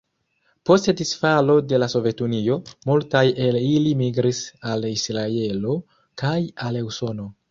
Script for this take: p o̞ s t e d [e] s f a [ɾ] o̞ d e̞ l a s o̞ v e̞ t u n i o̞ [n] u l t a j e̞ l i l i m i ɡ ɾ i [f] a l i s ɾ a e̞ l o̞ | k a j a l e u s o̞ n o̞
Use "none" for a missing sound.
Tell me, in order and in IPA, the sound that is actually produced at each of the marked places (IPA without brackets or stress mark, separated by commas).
i, l, m, s